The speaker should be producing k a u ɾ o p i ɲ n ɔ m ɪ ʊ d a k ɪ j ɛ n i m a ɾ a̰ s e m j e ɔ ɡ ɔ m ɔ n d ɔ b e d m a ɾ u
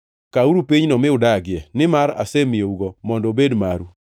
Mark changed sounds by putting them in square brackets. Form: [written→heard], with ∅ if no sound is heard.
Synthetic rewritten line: k a u ɾ [o→u] p i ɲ n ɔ m ɪ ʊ d a [k→ɡ] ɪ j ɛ n [i→ɪ] m a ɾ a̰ s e m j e [ɔ→u] ɡ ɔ m ɔ n d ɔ b e d m a ɾ u